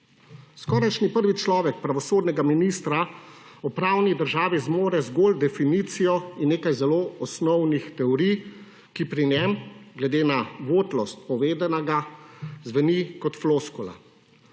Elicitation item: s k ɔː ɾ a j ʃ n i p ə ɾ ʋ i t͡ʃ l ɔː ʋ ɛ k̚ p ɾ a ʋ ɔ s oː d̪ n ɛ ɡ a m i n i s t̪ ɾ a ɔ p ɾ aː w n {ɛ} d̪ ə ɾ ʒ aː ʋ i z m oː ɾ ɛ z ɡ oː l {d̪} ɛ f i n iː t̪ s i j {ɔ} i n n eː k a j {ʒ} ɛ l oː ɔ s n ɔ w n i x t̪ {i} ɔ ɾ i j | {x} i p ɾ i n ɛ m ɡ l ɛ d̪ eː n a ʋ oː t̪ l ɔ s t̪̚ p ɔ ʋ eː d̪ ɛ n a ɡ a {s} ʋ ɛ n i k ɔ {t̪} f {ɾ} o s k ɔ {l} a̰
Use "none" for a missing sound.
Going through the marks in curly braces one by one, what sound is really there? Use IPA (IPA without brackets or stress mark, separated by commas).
i, d̪, ɔ, z, ɛ, k, z, t̪, l, l